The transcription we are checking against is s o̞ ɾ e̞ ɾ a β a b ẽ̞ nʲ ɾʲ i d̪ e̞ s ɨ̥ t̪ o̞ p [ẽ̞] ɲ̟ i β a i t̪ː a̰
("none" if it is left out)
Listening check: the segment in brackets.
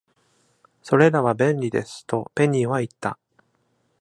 e̞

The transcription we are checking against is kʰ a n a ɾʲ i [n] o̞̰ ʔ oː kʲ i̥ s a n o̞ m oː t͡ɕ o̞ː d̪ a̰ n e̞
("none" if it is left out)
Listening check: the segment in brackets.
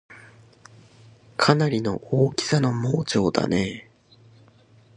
n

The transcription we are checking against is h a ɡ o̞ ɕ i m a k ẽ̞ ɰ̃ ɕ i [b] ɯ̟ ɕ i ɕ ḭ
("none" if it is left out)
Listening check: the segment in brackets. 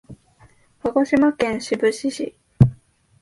b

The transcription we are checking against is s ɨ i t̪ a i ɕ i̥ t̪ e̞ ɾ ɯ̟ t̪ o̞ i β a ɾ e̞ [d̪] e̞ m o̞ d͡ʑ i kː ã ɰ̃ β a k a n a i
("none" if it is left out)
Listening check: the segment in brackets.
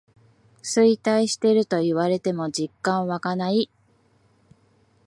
t̪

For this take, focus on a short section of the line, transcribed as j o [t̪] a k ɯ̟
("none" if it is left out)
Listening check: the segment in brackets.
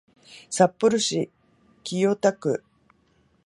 t̪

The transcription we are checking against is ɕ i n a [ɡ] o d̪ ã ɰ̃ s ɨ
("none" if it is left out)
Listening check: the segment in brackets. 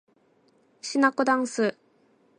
k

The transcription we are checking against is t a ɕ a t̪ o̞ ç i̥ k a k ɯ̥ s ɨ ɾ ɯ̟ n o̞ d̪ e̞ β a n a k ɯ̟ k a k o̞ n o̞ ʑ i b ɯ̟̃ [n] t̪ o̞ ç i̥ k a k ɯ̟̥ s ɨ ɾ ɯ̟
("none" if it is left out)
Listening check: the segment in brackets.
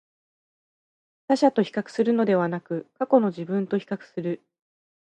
n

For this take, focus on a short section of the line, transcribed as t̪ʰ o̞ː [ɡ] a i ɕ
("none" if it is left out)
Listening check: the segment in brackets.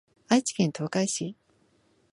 k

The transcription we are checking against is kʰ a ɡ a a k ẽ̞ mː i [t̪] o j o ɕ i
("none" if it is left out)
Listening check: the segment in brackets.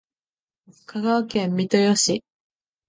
t̪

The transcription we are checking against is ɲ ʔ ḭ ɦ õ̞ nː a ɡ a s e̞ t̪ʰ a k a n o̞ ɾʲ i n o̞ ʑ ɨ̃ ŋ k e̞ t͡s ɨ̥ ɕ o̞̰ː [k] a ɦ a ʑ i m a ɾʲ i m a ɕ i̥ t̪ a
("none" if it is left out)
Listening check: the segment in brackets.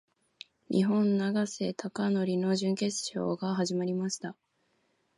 ɡ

